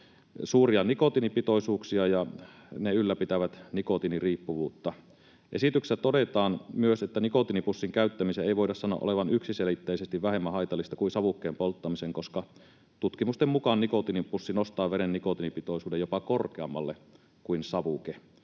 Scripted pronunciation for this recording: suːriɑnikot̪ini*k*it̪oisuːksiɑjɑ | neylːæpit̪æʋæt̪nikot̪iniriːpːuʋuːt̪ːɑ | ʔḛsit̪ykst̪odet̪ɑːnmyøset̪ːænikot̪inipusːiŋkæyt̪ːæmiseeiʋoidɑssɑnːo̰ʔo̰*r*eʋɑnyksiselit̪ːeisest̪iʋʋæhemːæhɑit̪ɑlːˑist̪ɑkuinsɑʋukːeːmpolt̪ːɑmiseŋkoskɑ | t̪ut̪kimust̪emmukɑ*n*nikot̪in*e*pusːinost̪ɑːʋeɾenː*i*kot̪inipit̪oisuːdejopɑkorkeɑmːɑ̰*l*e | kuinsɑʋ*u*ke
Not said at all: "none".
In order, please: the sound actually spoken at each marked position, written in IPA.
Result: p, l, n, i, i, lː, u

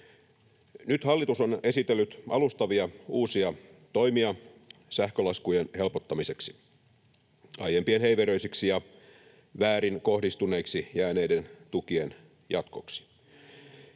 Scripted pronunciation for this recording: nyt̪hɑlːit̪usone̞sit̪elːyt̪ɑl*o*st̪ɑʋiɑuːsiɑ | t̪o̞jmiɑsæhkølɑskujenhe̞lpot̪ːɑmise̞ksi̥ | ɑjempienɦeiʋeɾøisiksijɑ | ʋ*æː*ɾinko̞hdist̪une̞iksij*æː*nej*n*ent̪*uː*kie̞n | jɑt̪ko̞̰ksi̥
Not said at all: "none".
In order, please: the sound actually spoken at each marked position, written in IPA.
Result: u, æː, æː, d, u

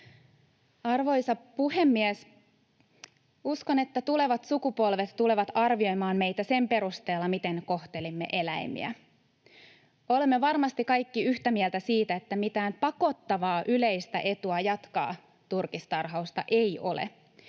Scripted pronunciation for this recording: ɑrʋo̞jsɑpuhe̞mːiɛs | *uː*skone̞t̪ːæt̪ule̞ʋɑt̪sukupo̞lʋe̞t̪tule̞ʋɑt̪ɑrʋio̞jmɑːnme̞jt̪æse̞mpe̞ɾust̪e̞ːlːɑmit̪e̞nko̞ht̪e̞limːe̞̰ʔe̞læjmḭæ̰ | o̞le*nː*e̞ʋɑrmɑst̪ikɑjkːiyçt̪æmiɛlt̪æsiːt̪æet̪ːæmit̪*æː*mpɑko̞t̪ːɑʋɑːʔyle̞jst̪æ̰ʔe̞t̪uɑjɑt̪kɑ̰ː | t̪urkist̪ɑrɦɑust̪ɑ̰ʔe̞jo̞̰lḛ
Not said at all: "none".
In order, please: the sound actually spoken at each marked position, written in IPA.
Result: u, mː, æː

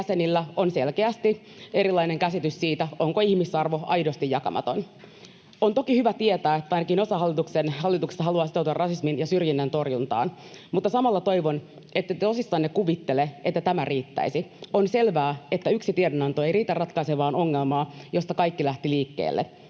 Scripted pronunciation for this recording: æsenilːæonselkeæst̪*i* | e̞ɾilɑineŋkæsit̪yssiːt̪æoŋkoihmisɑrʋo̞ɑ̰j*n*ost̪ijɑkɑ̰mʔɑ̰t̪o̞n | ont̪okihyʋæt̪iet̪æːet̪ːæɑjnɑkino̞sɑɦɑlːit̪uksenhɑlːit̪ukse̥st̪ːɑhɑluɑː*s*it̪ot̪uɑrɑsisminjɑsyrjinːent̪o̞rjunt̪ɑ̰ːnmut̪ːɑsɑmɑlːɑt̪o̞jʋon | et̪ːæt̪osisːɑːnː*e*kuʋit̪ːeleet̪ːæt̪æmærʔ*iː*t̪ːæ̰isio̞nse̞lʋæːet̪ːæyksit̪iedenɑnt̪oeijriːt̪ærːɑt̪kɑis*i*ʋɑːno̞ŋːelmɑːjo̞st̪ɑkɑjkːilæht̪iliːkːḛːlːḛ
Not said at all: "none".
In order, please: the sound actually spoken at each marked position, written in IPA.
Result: i, d, s, e, iː, e

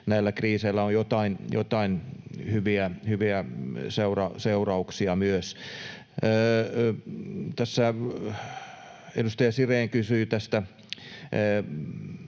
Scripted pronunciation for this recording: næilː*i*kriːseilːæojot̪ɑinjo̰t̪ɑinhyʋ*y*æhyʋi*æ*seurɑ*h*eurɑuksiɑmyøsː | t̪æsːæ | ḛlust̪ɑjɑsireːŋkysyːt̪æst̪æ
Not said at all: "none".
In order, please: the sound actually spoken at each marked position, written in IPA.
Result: æ, i, æ, s

